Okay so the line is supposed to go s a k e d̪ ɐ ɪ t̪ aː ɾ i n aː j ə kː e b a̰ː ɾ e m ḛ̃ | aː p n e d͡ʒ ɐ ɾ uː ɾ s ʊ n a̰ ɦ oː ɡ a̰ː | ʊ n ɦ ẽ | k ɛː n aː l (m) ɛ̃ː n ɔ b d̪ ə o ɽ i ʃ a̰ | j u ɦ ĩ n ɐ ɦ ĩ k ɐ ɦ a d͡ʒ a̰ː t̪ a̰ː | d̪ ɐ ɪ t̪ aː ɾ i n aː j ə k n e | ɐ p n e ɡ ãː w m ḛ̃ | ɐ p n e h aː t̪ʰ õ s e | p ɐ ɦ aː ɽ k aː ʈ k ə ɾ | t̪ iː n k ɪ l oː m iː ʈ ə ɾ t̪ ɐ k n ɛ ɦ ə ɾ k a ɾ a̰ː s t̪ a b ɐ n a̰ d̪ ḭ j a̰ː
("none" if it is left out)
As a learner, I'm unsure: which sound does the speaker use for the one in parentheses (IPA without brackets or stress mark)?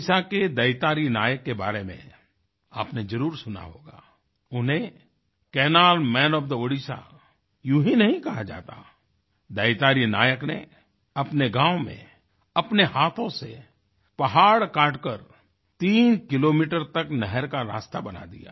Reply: m